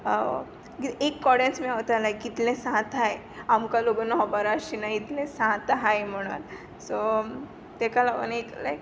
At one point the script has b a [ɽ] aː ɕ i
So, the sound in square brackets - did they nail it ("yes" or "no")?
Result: no